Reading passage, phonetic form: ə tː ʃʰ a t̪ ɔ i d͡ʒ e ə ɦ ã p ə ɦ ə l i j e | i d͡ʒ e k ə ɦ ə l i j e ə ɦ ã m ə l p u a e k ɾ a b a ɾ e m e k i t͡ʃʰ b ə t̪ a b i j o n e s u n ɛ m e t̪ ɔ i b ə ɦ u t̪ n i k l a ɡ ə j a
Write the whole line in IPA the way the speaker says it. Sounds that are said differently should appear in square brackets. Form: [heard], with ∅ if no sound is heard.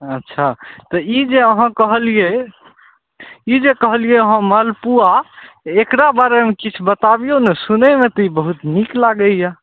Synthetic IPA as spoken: ə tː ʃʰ a t̪ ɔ i d͡ʒ e ə ɦ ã [k] ə ɦ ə l i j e | i d͡ʒ e k ə ɦ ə l i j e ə ɦ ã m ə l p u a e k ɾ a b a ɾ e m e k i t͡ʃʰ b ə t̪ a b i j o n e s u n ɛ m e t̪ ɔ i b ə ɦ u t̪ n i k l a ɡ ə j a

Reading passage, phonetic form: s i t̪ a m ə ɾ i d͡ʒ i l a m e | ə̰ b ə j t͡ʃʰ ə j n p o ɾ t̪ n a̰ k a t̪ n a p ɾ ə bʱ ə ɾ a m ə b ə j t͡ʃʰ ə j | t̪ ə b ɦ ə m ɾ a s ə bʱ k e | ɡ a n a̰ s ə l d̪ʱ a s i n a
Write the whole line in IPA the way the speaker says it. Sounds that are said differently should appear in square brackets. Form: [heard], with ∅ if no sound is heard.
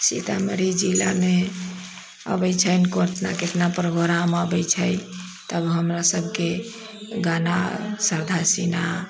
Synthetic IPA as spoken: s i t̪ a m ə ɾ i d͡ʒ i l a m e | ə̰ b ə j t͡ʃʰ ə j n [k] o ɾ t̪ n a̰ k [e] t̪ n a p ɾ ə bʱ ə ɾ a m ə b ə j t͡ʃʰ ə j | t̪ ə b ɦ ə m ɾ a s ə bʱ k e | ɡ a n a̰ s ə [ɾ] d̪ʱ a s i n a

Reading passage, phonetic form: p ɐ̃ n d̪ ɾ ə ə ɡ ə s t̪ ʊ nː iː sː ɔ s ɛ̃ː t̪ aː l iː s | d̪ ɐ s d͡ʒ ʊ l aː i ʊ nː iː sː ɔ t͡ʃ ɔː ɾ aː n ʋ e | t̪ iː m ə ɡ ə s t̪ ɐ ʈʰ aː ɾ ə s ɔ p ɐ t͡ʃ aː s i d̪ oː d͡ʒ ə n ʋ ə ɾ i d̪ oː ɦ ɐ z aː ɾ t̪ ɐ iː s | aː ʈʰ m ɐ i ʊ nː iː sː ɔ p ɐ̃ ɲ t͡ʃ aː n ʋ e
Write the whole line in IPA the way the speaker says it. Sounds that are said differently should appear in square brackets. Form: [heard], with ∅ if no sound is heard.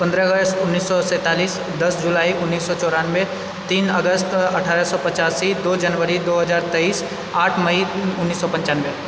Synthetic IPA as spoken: p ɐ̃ n d̪ ɾ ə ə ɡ ə s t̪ ʊ nː iː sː ɔ s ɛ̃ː t̪ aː l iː s | d̪ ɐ s d͡ʒ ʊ l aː i ʊ nː iː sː ɔ t͡ʃ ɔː ɾ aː n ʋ e | t̪ iː [n] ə ɡ ə s t̪ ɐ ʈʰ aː ɾ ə s ɔ p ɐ t͡ʃ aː s i d̪ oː d͡ʒ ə n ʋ ə ɾ i d̪ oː ɦ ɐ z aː ɾ t̪ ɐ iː s | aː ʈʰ m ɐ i ʊ nː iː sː ɔ p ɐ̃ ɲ t͡ʃ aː n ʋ e

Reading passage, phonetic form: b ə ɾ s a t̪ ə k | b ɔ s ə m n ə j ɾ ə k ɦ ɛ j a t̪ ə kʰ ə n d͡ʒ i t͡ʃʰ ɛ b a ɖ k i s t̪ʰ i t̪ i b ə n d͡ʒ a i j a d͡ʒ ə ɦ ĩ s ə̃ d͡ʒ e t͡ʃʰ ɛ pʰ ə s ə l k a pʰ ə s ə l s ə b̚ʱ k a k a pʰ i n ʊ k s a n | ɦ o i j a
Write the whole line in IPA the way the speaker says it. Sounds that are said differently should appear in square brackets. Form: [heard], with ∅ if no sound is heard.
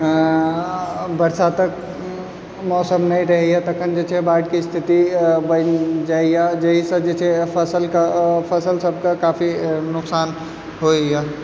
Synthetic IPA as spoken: b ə ɾ s a t̪ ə k | [m] ɔ s ə m n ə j ɾ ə [∅] ɦ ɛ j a t̪ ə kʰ ə n d͡ʒ [e] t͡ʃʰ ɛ b a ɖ k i s t̪ʰ i t̪ i b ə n d͡ʒ a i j a d͡ʒ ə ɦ [i] s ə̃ d͡ʒ e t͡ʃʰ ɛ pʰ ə s ə l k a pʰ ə s ə l s ə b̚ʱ k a k a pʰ i n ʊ k s a n | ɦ o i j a

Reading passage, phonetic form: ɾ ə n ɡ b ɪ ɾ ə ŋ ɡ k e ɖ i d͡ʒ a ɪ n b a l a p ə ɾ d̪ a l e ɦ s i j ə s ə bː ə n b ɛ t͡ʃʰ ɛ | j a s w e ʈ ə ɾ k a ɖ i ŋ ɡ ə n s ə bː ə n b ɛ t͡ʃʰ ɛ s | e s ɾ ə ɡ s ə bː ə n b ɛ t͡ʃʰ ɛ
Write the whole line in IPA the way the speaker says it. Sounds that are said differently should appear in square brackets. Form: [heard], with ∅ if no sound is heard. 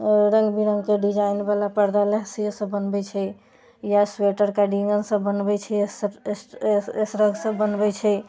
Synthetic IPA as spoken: ɾ ə [ŋ] ɡ b [i] ɾ ə ŋ ɡ k e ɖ i d͡ʒ a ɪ n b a l a p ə ɾ d̪ a l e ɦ s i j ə s ə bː ə n b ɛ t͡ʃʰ ɛ | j a s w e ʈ ə ɾ k a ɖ i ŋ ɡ ə n s ə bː ə n b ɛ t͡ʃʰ ɛ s | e s ɾ ə ɡ s ə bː ə n b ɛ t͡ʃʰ ɛ

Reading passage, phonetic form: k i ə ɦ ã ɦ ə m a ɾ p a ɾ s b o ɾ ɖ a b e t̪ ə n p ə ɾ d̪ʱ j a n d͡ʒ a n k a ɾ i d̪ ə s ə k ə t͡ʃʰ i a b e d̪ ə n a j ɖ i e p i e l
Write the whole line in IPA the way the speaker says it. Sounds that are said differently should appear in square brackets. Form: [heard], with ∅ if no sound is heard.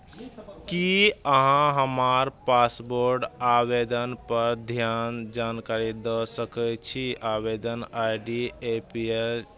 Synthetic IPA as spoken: k i ə ɦ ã ɦ ə m a ɾ p a [∅] s b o ɾ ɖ a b e [d̪] ə n p ə ɾ d̪ʱ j a n d͡ʒ a n k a ɾ i d̪ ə s ə k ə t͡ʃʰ i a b e d̪ ə n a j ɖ i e p i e l

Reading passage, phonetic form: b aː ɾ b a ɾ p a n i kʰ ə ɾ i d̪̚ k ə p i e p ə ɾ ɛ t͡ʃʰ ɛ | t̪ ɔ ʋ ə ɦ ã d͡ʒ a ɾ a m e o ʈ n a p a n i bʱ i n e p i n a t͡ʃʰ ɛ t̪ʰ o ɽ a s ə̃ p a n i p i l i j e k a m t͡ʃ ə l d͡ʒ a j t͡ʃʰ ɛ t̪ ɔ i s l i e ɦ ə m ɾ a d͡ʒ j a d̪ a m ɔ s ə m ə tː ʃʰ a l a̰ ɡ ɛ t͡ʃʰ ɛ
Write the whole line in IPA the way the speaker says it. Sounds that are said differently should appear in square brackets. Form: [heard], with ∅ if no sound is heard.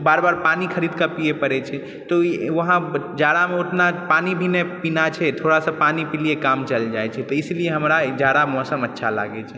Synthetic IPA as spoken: b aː ɾ b a ɾ p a n i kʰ ə ɾ i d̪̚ k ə p i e p ə ɾ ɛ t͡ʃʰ ɛ | t̪ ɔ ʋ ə ɦ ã d͡ʒ a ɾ a m e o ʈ n a p a n i bʱ i n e p i n a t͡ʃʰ ɛ t̪ʰ o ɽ a s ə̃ p a n i p i l i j e k a m t͡ʃ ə l d͡ʒ a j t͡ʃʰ ɛ t̪ ɔ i s l i e ɦ ə m ɾ a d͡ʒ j a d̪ a m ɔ s ə m ə tː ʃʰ a l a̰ ɡ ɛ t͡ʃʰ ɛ

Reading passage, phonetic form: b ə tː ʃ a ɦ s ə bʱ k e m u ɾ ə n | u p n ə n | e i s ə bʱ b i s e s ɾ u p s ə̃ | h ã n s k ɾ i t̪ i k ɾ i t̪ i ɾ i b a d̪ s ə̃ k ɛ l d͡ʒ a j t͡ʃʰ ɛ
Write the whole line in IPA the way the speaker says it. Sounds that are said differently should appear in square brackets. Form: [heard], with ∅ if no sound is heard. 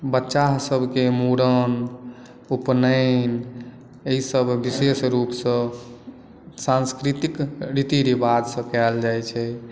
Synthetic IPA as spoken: b ə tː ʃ a ɦ s ə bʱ k e m u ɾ ə n | u p n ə n | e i s ə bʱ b i s e s ɾ u p s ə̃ | [s] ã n s k ɾ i t̪ i k ɾ i t̪ i ɾ i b a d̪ s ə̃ k ɛ l d͡ʒ a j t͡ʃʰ ɛ

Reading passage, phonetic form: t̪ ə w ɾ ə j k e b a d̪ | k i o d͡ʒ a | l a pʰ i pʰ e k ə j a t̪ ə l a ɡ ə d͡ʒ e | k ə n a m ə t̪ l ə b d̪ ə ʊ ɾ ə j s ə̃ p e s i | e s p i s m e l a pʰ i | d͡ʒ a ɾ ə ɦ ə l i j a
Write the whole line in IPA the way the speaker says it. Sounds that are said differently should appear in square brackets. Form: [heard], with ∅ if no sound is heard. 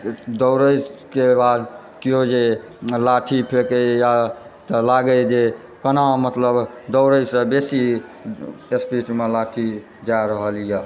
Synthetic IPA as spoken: [d̪] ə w ɾ ə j k e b a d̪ | k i o d͡ʒ [e] | l a [ʈʰ] i pʰ e k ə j a t̪ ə l a ɡ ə d͡ʒ e | k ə n a m ə t̪ l ə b d̪ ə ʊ ɾ ə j s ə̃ [b] e s i | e s p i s m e l a [ʈʰ] i | d͡ʒ a ɾ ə ɦ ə l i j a

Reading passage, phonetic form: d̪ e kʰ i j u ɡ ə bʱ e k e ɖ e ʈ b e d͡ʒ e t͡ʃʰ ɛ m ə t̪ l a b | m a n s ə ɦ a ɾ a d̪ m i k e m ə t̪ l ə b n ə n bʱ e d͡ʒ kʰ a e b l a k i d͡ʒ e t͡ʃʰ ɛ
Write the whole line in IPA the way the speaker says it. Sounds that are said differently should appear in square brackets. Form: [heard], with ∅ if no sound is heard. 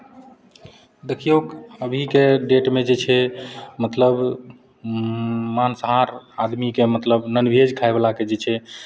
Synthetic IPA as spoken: d̪ e kʰ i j [o] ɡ ə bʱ [i] k e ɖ e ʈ [m] e d͡ʒ e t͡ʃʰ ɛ m ə t̪ l [ə] b | m a n s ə ɦ a ɾ a d̪ m i k e m ə t̪ l ə b n ə n bʱ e d͡ʒ kʰ a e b l a k [e] d͡ʒ e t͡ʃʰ ɛ

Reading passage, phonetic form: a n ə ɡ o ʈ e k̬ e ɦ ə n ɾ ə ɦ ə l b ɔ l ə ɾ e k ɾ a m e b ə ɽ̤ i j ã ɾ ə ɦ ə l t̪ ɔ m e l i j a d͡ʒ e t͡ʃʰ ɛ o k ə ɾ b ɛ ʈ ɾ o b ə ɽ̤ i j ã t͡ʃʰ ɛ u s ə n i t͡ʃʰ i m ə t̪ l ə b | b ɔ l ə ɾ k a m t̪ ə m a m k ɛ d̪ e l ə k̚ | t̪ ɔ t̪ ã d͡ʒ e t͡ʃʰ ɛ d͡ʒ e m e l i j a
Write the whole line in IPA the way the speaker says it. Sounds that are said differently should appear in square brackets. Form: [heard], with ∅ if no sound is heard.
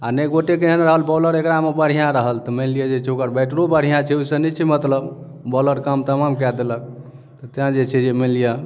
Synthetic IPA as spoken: a n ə ɡ o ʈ e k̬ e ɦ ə n ɾ ə ɦ ə l b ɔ l ə ɾ e k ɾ a m e b ə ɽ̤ i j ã ɾ ə ɦ ə l t̪ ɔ m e l i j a d͡ʒ e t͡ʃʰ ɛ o k ə ɾ b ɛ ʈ ɾ o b ə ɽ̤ i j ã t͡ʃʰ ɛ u s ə n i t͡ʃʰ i m ə t̪ l ə b | b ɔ l ə ɾ k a m t̪ ə m a m k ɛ d̪ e l ə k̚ | t̪ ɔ t̪ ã d͡ʒ e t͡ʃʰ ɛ d͡ʒ e m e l i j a

